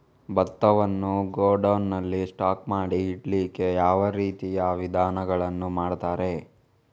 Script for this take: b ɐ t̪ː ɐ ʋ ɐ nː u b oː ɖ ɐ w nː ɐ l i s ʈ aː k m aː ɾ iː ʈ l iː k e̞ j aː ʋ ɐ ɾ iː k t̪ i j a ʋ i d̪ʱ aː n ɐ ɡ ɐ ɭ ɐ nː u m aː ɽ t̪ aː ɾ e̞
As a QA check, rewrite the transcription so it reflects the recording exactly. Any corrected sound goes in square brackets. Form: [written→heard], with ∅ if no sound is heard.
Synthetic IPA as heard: b ɐ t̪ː ɐ ʋ ɐ nː u [b→ɡ] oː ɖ ɐ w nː ɐ [l→lː] i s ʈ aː k m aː [ɾ→ɽ] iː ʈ l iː k e̞ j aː ʋ ɐ ɾ iː [k→∅] t̪ i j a ʋ i d̪ʱ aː n ɐ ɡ ɐ ɭ ɐ nː u m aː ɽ t̪ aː ɾ e̞

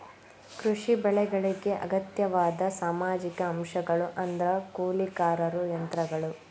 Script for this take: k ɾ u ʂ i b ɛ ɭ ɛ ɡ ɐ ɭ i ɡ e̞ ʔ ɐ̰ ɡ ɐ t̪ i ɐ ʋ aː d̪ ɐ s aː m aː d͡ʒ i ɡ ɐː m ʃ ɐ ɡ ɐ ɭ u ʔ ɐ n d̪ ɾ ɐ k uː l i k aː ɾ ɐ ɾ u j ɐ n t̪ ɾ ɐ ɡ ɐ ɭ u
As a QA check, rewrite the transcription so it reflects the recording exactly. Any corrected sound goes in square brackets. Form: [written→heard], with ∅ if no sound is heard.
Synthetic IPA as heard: k ɾ u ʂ i b ɛ ɭ ɛ ɡ ɐ ɭ i ɡ e̞ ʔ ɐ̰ ɡ ɐ t̪ [i→j] ɐ ʋ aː d̪ ɐ s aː m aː d͡ʒ i [ɡ→k] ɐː m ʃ ɐ ɡ ɐ ɭ u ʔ ɐ n d̪ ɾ ɐ k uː l i k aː ɾ ɐ ɾ u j ɐ n t̪ ɾ ɐ ɡ ɐ ɭ u

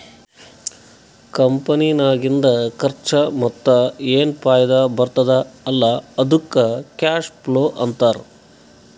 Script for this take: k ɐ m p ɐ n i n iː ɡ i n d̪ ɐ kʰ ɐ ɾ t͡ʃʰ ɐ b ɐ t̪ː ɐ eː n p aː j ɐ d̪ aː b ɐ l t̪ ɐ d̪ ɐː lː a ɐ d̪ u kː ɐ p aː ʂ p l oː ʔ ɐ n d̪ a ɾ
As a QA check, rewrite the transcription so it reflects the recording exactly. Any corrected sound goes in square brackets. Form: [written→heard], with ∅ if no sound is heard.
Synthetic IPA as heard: k ɐ m p ɐ n i n [iː→aː] ɡ i n d̪ ɐ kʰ ɐ ɾ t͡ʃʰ ɐ [b→m] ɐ t̪ː ɐ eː n p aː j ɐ d̪ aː b ɐ [l→ɾ] t̪ ɐ d̪ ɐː lː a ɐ d̪ u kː ɐ [p→k] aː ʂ p l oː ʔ ɐ n [d̪→t̪] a ɾ

